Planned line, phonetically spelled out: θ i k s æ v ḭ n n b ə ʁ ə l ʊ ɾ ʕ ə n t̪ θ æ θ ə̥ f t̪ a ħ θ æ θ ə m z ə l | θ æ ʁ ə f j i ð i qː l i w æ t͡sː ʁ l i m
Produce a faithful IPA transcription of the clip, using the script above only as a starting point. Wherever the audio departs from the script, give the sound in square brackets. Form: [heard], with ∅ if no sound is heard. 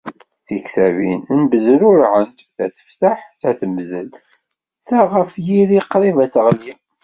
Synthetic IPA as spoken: θ i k [θ] æ v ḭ n n b ə [z] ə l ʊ ɾ ʕ ə n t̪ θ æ θ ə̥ f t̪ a ħ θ æ θ ə m z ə l | θ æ ʁ ə f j i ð i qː [ɾ] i [v] æ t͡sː ʁ l i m

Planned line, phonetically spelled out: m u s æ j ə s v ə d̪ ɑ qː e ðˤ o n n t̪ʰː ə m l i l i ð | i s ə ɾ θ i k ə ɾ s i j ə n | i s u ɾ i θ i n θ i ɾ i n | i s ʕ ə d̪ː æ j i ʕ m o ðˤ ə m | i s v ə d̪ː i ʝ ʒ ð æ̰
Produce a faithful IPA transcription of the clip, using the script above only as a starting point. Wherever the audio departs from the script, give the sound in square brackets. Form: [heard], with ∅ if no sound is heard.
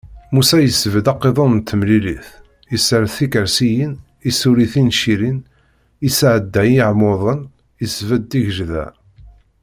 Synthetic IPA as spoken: m u s æ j ə s v ə d̪ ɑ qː e ðˤ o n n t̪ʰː ə m l i l i [θ] | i s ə ɾ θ i k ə ɾ s i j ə n | i s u ɾ i θ i n [ʃ] i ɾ i n | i s ʕ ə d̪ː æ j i ʕ m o ðˤ ə [n] | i s v ə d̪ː i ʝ ʒ ð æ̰

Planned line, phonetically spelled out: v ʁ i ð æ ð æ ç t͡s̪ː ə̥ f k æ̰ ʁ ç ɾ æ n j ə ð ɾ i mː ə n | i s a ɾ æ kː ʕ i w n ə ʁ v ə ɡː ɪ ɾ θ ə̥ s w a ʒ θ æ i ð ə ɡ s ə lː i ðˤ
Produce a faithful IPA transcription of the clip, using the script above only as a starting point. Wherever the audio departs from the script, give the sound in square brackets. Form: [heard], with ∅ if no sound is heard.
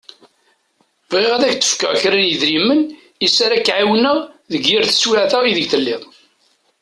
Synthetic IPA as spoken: v ʁ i [ʁ] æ ð æ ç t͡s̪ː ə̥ f k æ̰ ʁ ç ɾ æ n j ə ð ɾ i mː ə n | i s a ɾ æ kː ʕ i w n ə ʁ [ð] ə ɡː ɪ ɾ θ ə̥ s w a [ʕ] θ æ i ð ə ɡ [θ] ə lː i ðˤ

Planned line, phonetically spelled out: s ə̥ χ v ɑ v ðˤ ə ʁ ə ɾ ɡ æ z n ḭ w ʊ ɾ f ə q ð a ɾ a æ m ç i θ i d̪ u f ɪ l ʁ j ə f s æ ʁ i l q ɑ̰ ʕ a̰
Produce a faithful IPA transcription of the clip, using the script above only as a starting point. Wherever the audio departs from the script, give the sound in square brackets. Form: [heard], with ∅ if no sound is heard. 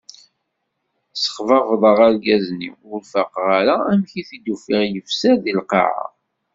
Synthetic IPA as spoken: s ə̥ χ v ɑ v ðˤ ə ʁ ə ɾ ɡ æ z n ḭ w ʊ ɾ f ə q [ʁ] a ɾ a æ m ç i θ i d̪ u f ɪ [∅] ʁ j ə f s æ [ð] i l q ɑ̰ ʕ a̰

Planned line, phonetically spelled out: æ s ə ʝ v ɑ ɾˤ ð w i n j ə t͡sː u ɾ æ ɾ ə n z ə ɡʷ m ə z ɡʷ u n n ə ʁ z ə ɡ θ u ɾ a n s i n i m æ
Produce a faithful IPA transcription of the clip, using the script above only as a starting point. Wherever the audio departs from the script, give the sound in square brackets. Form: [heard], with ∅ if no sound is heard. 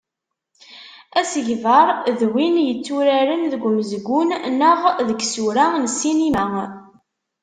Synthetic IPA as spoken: æ s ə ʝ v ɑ ɾˤ ð w i n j ə t͡sː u ɾ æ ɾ ə n [ð] ə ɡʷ m ə z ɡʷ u n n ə ʁ [ð] ə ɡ [s] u ɾ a n s i n i m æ

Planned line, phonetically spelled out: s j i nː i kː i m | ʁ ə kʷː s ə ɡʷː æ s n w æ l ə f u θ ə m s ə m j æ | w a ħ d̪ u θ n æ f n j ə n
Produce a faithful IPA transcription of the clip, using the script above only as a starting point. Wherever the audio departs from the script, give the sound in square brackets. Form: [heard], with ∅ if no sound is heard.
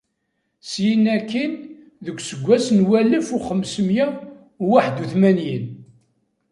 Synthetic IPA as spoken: s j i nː [æ] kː i [n] | [ð] ə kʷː s ə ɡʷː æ s n w æ l ə f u [χ] ə m s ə m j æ | w a ħ d̪ u θ [m] æ [∅] n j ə n

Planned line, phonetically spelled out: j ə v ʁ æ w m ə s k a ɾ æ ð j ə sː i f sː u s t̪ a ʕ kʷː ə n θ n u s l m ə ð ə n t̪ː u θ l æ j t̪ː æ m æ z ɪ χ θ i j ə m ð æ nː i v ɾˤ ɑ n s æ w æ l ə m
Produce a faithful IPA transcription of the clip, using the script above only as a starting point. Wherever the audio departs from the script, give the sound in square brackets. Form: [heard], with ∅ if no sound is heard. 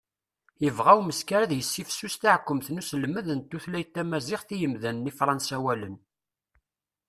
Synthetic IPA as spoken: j ə v ʁ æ w m ə s k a ɾ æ ð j ə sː i f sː u s t̪ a ʕ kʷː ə [m] θ n u s l m ə ð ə n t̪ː u θ l æ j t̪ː æ m æ z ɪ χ θ i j ə m ð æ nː i [f] ɾˤ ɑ n s æ w æ l ə [n]

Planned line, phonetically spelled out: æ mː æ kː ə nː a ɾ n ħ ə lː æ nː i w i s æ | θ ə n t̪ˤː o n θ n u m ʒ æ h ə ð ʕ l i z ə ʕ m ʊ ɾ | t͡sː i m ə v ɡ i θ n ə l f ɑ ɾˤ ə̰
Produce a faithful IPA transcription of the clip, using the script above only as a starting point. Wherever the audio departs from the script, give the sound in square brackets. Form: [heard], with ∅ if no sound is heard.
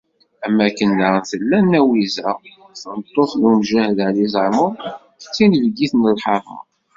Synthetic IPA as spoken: æ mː æ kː ə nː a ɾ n [θ] ə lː æ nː [æ] w i [z] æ | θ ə n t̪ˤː o [∅] θ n u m ʒ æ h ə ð ʕ l i z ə ʕ m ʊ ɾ | t͡sː i [n] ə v ɡ i θ n ə l [ħ] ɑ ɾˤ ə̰

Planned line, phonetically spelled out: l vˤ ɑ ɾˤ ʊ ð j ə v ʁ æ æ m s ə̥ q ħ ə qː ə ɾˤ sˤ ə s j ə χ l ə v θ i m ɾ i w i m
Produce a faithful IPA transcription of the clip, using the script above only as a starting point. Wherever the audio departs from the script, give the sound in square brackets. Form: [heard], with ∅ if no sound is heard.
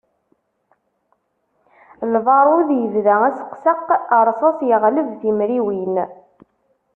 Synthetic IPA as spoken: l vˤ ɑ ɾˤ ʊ ð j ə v [ð] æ æ [∅] s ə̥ q [s] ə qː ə ɾˤ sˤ [ɑ] s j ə [ʁ] l ə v θ i m ɾ i w i [n]

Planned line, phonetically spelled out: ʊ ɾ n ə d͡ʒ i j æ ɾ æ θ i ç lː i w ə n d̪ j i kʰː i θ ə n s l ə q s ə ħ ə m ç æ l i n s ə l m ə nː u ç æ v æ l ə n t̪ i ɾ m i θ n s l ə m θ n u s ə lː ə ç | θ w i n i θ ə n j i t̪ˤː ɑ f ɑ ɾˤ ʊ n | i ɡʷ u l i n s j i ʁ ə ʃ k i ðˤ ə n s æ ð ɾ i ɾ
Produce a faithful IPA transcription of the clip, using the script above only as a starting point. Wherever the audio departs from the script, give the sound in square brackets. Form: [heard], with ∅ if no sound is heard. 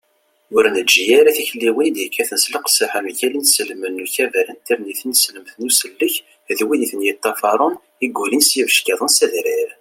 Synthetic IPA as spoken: ʊ ɾ n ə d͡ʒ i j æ ɾ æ θ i ç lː i w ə n d̪ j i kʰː [æ] θ ə n s l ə q s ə ħ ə m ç æ l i n s ə l m ə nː u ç æ v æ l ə n t̪ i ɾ [n] i θ n s l ə m θ n u s ə lː ə ç | [ð] w i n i θ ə n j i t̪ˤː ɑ f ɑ ɾˤ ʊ n | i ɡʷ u l i n s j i [v] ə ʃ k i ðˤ ə n s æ ð ɾ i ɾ

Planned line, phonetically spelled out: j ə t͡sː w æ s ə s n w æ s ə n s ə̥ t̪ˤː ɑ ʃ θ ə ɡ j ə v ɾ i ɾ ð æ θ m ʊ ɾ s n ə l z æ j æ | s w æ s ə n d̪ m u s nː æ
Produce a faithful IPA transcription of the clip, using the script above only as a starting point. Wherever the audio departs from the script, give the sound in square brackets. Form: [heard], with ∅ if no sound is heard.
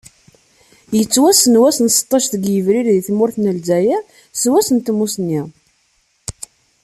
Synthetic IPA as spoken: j ə t͡sː w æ s ə [∅] n w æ s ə n s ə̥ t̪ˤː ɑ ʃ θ ə ɡ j ə v ɾ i ɾ ð [i] θ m ʊ ɾ [θ] n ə l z æ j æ | s w æ s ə n [t̪] m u s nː [i]

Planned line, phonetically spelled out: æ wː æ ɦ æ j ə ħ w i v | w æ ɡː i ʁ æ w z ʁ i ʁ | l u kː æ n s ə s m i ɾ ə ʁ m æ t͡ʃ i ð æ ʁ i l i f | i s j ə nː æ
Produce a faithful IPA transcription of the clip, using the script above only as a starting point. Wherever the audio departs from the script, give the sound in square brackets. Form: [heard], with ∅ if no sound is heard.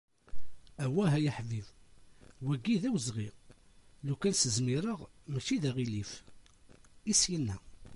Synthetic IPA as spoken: æ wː æ ɦ æ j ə ħ [v] i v | w æ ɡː i [ð] æ w z ʁ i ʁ | l u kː æ n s ə [z] m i ɾ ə ʁ m æ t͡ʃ i ð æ ʁ i l i f | i s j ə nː æ

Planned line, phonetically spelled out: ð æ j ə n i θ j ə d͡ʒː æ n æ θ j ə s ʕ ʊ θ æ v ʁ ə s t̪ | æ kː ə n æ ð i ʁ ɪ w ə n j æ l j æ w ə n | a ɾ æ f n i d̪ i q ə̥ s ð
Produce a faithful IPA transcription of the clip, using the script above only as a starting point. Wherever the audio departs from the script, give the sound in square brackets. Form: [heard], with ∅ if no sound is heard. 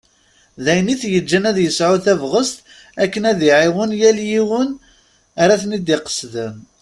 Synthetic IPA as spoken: ð æ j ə n i θ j ə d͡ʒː æ n æ [ð] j ə s ʕ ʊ θ æ v ʁ ə s t̪ | æ kː ə n æ ð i [ʕ] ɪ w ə n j æ l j [i] w ə n | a ɾ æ [θ] n i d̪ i q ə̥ s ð

